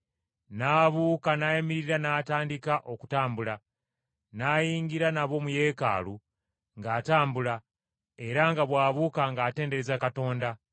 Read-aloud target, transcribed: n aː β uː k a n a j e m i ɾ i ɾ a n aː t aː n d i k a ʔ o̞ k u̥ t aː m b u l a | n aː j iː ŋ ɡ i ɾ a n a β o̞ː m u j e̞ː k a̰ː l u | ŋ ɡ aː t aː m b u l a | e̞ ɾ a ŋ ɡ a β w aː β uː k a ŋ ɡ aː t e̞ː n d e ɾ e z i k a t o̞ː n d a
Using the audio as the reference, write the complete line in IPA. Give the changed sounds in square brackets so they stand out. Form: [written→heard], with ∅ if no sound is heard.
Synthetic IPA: n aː β uː k a n a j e m i ɾ i ɾ a n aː t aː n d i k a ʔ o̞ k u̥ t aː m b u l a | n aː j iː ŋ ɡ i ɾ a n a β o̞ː m u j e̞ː k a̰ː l u | ŋ ɡ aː t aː m b u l a | e̞ ɾ a ŋ ɡ a β w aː β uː k a ŋ ɡ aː t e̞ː n d e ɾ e z [i→a] k a t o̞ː n d a